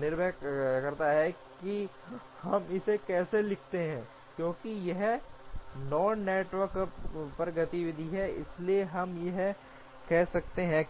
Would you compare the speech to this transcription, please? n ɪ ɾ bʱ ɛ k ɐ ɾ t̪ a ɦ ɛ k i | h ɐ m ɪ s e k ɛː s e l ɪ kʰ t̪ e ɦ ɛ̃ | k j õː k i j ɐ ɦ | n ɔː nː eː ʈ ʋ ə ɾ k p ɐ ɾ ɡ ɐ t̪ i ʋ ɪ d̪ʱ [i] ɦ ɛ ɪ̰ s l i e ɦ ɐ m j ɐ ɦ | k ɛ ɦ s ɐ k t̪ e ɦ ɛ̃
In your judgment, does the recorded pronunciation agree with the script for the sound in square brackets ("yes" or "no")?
yes